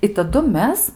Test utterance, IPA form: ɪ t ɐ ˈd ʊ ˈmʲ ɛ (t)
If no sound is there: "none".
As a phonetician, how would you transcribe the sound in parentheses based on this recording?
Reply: s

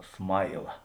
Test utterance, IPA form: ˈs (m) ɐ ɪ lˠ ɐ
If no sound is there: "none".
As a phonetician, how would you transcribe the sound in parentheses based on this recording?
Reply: m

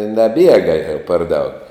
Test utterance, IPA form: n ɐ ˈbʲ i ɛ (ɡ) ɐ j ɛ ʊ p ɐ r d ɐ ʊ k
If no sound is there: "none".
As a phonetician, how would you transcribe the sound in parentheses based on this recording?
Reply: ɡ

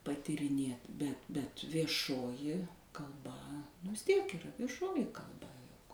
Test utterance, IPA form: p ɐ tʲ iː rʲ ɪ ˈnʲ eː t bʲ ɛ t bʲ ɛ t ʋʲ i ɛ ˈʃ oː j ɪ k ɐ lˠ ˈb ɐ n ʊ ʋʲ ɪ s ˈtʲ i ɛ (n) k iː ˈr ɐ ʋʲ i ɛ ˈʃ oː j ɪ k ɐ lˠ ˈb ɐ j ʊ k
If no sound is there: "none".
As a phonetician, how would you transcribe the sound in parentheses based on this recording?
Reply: none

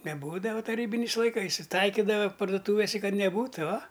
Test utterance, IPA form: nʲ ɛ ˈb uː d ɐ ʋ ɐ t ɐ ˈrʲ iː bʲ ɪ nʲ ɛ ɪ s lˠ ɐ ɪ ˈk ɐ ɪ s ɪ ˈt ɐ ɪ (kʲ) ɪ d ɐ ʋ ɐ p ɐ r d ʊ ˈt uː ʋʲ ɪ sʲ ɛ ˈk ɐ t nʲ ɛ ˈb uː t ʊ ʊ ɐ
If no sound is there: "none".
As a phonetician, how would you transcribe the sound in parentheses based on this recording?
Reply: kʲ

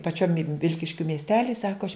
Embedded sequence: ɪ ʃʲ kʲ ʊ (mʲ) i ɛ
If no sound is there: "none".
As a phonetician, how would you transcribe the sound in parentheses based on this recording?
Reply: mʲ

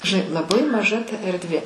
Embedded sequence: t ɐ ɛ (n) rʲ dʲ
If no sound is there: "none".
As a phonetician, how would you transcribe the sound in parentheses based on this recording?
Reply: none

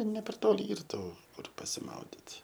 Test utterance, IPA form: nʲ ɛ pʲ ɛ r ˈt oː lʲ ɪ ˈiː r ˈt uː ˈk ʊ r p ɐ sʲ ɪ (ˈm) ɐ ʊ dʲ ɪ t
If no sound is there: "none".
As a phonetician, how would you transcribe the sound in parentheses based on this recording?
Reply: m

